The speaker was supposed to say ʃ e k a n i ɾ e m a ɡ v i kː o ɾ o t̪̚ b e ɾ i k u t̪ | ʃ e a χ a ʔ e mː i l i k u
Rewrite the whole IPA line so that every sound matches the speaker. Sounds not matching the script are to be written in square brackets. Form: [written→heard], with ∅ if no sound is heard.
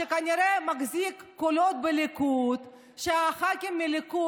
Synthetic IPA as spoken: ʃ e k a n i ɾ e m a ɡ [v→z] i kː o [ɾ→l] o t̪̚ b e [ɾ→l] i k u t̪ | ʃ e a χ a [ʔ→k] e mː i l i k u